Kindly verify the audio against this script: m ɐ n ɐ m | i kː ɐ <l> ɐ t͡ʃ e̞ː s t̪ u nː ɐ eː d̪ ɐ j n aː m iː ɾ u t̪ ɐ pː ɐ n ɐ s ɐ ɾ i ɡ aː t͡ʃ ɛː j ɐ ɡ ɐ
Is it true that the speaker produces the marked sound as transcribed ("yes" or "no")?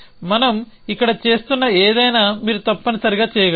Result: no